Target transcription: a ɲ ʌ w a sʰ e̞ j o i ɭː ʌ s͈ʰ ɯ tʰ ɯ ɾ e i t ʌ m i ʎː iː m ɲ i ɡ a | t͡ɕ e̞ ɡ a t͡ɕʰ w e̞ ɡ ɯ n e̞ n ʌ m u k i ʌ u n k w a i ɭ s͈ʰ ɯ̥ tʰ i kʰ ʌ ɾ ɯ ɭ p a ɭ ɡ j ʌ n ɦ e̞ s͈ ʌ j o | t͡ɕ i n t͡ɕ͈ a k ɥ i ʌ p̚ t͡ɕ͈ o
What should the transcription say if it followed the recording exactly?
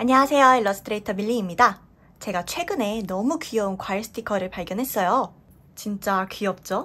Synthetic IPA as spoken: a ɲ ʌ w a sʰ e̞ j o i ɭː ʌ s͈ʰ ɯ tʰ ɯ ɾ e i tʰ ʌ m i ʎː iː m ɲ i d a | t͡ɕ e̞ ɡ a t͡ɕʰ w e̞ ɡ ɯ n e̞ n ʌ m u k i ʌ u n k w a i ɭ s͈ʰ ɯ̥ tʰ i kʰ ʌ ɾ ɯ ɭ p a ɭ ɡ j ʌ n ɦ e̞ s͈ ʌ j o | t͡ɕ i n t͡ɕ͈ a k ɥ i ʌ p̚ t͡ɕ͈ o